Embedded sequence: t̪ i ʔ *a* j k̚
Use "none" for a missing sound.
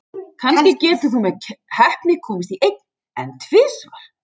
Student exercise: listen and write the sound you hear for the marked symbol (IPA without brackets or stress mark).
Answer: e